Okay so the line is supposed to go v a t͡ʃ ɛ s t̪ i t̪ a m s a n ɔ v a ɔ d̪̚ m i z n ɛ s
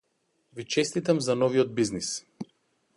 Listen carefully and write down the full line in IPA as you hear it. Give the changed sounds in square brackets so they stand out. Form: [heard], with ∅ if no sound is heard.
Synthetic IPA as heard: v [i] t͡ʃ ɛ s t̪ i t̪ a m [z] a n ɔ v [i] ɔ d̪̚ [b] i z n [i] s